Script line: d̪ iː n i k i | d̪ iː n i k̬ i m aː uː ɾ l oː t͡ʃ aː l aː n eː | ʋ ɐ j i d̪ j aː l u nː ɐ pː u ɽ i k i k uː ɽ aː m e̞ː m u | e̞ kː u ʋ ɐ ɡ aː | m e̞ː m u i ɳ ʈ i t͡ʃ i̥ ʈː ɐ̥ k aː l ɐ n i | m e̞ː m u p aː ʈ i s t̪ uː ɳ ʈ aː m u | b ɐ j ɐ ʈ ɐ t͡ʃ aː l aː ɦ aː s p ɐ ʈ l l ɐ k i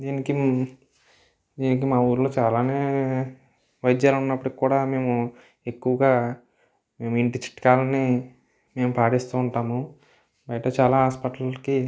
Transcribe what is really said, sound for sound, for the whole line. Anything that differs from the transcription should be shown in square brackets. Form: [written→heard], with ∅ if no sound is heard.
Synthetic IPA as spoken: d̪ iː n i k i | d̪ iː n i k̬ i m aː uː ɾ l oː t͡ʃ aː l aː n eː | ʋ ɐ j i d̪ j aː l u nː ɐ pː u ɽ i k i k uː ɽ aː m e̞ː m u | e̞ kː u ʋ ɐ ɡ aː | m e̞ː m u i ɳ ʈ i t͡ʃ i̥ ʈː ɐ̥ k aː l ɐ n i | m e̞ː m u p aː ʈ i s t̪ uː ɳ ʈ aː m u | b ɐ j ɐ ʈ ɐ t͡ʃ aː l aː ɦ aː s p ɐ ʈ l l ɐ k i